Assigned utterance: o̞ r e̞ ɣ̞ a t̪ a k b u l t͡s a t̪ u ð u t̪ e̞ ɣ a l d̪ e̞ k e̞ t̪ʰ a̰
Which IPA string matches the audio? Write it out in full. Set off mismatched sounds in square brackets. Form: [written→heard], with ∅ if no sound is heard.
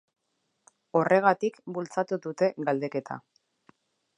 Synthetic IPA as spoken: o̞ r e̞ ɣ̞ a t̪ [a→i] k b u l t͡s a t̪ u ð u t̪ e̞ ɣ a l d̪ e̞ k e̞ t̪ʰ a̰

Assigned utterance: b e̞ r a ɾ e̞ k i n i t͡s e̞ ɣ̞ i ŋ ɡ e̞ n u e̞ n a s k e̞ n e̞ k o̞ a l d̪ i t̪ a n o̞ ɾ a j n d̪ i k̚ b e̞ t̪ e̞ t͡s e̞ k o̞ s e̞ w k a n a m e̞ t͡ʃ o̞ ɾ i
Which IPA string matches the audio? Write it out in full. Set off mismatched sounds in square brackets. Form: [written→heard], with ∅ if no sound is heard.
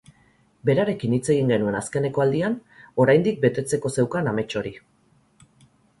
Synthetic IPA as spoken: b e̞ [r→ɾ] a ɾ e̞ k i n i t͡s e̞ ɣ̞ i ŋ ɡ e̞ n u e̞ n a s k e̞ n e̞ k o̞ a l d̪ i [t̪→∅] a n o̞ ɾ a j n d̪ i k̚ b e̞ t̪ e̞ t͡s e̞ k o̞ s e̞ w k a n a m e̞ t͡ʃ o̞ ɾ i

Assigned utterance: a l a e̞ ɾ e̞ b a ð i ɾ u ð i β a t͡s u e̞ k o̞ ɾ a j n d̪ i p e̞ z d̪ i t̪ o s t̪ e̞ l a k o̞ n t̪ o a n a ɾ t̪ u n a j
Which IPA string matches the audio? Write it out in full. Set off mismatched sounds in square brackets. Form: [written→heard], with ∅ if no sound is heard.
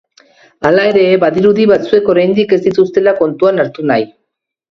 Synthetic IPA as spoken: a l a e̞ ɾ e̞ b a ð i ɾ u ð i β a t͡s u e̞ k o̞ ɾ a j n d̪ i [p→k] e̞ z d̪ i t̪ [o→u] s t̪ e̞ l a k o̞ n t̪ [o→u] a n a ɾ t̪ u n a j

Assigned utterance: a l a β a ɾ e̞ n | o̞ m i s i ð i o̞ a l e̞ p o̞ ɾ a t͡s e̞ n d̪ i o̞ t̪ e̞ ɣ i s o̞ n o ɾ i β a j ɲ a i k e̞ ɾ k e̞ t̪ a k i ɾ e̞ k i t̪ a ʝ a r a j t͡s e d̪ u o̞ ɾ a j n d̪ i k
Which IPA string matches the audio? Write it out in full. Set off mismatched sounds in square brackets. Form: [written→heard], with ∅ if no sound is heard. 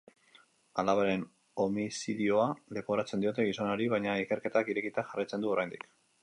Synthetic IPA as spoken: a l a β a ɾ e̞ n | o̞ m i s i ð i o̞ a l e̞ p o̞ ɾ a t͡s e̞ n d̪ i o̞ t̪ e̞ ɣ i s o̞ n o ɾ i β a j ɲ a i k e̞ ɾ k e̞ t̪ a k i ɾ e̞ k i t̪ a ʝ a r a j t͡s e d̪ u o̞ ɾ a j n d̪ i k

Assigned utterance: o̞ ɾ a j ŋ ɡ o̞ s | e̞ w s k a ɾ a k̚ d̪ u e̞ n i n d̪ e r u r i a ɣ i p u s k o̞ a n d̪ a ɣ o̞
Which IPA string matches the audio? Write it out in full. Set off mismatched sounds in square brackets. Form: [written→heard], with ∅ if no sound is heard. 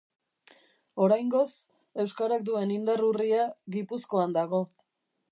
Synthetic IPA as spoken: o̞ ɾ a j ŋ ɡ o̞ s | e̞ w s k a ɾ a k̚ d̪ u e̞ n i n d̪ [e→a] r u r i a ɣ i p u s k o̞ a n d̪ a ɣ o̞

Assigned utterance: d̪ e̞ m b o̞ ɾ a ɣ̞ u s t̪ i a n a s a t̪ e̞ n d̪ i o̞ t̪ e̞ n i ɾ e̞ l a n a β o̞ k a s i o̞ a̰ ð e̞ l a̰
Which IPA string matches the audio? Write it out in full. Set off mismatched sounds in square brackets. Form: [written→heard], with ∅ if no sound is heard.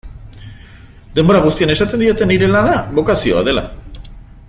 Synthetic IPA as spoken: d̪ e̞ m b o̞ ɾ a ɣ̞ u s t̪ i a n [a→e] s a t̪ e̞ n d̪ i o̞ t̪ e̞ n i ɾ e̞ l a n a β o̞ k a s i o̞ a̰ ð e̞ l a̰

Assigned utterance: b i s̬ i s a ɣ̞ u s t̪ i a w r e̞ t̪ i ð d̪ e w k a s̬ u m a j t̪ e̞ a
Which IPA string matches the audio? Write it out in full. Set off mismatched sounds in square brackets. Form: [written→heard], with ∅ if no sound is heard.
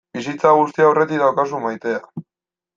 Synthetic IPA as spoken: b i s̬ i [s→t͡s] a ɣ̞ u s t̪ i a w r e̞ t̪ i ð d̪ [e→a] w k a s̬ u m a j t̪ e̞ a

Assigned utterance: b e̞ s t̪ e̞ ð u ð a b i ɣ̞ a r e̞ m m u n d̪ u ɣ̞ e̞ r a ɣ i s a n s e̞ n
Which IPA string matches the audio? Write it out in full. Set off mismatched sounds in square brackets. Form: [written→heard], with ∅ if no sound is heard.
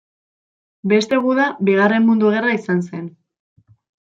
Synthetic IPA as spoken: b e̞ s t̪ e̞ [ð→ɣ] u ð a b i ɣ̞ a r e̞ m m u n d̪ u ɣ̞ e̞ r a [ɣ→∅] i s a n s e̞ n

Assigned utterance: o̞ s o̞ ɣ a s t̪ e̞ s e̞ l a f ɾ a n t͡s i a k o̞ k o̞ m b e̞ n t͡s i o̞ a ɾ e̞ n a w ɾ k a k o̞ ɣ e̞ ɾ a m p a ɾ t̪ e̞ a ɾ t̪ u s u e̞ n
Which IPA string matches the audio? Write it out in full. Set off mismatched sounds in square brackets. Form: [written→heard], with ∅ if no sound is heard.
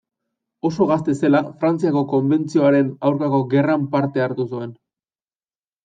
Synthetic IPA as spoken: o̞ s o̞ ɣ a s t̪ e̞ s e̞ l a f ɾ a n t͡s i a k o̞ k o̞ m b e̞ n t͡s i o̞ a ɾ e̞ n a w ɾ k a k o̞ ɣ e̞ [ɾ→r] a m p a ɾ t̪ e̞ a ɾ t̪ u s u e̞ n

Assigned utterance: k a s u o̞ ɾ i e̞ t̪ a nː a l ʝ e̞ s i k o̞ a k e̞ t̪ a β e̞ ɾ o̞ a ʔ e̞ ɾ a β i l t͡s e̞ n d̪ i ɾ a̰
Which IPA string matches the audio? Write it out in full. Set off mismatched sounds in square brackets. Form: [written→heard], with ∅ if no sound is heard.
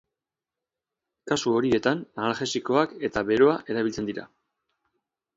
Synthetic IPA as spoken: k a s u o̞ ɾ i e̞ t̪ a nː a l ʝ e̞ s i k o̞ a k e̞ t̪ a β e̞ ɾ o̞ a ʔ e̞ ɾ a β i l t͡s e̞ n d̪ i ɾ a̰

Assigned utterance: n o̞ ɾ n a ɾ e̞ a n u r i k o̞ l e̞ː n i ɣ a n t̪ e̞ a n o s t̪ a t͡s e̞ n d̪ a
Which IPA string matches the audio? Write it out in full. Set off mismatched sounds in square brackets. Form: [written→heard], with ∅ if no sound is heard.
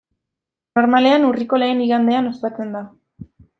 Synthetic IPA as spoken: n o̞ ɾ [n→m] a [ɾ→l] e̞ a n u r i k o̞ l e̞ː n i ɣ a n [t̪→d̪] e̞ a n o s t̪ a t͡s e̞ n d̪ a

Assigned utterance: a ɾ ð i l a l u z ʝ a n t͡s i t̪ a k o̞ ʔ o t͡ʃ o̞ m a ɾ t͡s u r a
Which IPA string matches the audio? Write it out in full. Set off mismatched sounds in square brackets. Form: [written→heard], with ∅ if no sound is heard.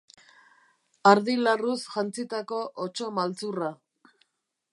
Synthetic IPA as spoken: a ɾ ð i l a [l→r] u [z→s] ʝ a n t͡s i t̪ a k o̞ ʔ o t͡ʃ o̞ m a [ɾ→l] t͡s u r a

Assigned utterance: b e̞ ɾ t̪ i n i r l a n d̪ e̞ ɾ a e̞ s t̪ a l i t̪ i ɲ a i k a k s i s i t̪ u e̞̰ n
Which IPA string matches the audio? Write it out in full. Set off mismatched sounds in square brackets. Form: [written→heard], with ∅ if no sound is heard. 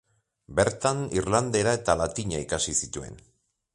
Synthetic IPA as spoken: b e̞ ɾ t̪ [i→a] n i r l a n d̪ e̞ ɾ a e̞ [s→∅] t̪ a l [i→a] t̪ i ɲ a i k a [k→∅] s i s i t̪ u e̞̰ n

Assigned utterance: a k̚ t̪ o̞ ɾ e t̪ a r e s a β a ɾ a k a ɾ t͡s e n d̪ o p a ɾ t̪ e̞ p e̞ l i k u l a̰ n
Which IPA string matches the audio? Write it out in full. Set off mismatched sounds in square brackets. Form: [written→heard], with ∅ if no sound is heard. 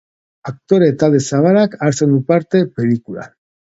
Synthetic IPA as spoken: a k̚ t̪ o̞ ɾ e t̪ a [r→l] e s a β a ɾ a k a ɾ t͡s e n d̪ [o→u] p a ɾ t̪ e̞ p e̞ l i k u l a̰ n

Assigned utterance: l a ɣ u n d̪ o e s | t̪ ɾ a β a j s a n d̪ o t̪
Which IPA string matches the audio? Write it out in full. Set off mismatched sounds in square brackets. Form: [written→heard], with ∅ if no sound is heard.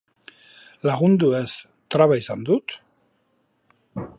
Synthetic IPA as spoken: l a ɣ u n d̪ [o→u] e s | t̪ ɾ a β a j s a n d̪ [o→u] t̪

